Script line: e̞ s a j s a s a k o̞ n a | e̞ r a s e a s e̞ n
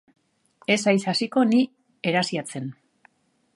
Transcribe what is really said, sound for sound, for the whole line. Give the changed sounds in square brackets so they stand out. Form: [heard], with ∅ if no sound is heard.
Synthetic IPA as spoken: e̞ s a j s a s [i] k o̞ n [i] | e̞ [ɾ] a s [i] a [t͡s] e̞ n